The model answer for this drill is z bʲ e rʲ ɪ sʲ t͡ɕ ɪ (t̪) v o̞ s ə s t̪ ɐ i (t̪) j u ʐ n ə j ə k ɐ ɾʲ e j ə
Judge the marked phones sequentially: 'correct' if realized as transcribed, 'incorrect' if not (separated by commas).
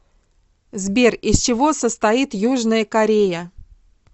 incorrect, correct